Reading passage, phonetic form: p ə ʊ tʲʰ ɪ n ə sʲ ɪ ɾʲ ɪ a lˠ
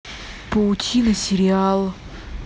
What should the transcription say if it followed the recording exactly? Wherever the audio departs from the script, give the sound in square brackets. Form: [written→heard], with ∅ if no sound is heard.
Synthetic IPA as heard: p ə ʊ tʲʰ [ɪ→i] n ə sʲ ɪ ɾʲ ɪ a lˠ